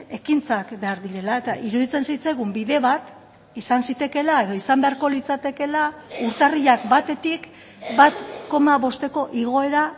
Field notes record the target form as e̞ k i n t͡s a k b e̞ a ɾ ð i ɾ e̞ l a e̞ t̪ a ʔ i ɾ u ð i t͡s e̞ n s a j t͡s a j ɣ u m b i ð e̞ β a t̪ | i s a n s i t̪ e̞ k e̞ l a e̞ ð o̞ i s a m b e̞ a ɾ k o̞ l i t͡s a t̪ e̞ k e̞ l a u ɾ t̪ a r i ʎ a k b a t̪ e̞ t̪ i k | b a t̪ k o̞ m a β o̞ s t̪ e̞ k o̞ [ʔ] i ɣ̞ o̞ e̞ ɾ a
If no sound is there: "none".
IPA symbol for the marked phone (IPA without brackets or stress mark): ʔ